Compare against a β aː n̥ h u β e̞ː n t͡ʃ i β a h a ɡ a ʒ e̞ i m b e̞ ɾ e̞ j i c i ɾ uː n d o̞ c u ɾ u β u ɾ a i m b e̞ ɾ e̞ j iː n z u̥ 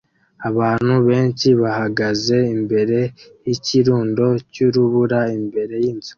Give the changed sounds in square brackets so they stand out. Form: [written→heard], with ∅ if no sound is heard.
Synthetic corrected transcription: a β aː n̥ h u β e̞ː n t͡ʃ i β a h a ɡ a [ʒ→z] e̞ i m b e̞ ɾ e̞ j i c i ɾ uː n d o̞ c u ɾ u β u ɾ a i m b e̞ ɾ e̞ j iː n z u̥